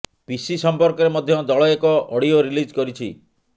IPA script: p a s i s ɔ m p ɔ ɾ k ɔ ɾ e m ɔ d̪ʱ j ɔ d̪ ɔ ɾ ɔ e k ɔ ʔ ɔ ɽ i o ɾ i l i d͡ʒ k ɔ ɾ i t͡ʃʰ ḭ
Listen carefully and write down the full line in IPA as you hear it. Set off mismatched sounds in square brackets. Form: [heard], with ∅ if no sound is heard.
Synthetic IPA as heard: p [i] s i s ɔ m p ɔ ɾ k ɔ ɾ e m ɔ d̪ʱ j ɔ d̪ ɔ [ɭ] ɔ e k ɔ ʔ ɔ ɽ i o ɾ i l i d͡ʒ k ɔ ɾ i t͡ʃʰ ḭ